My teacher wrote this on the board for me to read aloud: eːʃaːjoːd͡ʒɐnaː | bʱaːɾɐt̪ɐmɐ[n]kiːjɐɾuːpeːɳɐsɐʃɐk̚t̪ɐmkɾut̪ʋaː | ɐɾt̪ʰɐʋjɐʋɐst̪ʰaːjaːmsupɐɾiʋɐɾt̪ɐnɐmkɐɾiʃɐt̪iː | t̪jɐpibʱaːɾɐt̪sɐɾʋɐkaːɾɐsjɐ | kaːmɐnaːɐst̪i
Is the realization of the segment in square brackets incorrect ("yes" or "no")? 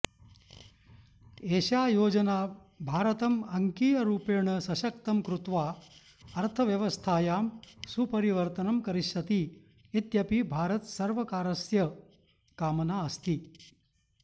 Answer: yes